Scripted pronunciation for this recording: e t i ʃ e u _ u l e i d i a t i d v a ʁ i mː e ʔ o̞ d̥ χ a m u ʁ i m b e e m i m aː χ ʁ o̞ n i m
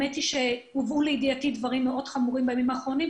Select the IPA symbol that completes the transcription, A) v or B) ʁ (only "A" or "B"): A